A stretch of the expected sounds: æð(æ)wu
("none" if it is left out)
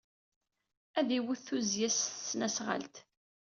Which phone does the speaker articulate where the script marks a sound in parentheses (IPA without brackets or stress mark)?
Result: i